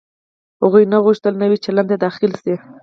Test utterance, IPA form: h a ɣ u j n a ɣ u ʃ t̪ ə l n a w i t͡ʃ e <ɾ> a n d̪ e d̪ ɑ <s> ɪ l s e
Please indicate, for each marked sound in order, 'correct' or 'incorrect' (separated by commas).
incorrect, incorrect